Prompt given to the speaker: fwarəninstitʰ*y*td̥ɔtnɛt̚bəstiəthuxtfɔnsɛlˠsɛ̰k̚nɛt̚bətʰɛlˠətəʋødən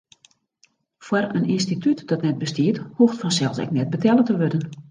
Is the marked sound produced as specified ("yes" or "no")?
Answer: yes